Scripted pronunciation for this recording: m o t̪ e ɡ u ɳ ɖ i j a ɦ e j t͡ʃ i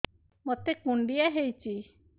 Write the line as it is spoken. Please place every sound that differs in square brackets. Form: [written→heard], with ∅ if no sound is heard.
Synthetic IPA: m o t̪ e [ɡ→k] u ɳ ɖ i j a ɦ e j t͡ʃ i